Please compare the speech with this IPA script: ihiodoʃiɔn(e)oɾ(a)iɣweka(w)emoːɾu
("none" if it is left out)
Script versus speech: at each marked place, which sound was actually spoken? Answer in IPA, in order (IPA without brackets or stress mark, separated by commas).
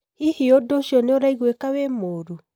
e, a, w